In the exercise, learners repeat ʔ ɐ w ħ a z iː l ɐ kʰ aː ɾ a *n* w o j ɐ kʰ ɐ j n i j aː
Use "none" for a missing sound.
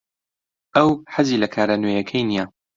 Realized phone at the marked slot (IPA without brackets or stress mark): n